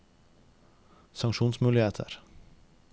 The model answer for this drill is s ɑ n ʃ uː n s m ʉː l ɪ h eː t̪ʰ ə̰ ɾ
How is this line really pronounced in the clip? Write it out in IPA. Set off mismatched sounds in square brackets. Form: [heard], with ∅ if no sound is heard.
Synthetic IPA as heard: s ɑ [ŋ] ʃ uː n s m ʉː l ɪ h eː t̪ʰ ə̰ ɾ